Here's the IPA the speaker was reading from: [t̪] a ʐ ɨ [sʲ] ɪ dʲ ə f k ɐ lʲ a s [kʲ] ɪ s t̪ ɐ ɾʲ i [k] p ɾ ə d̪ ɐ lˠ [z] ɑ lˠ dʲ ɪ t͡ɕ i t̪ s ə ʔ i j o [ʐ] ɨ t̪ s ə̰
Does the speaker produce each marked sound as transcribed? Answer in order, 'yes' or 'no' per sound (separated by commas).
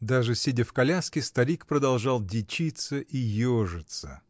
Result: no, yes, yes, yes, no, yes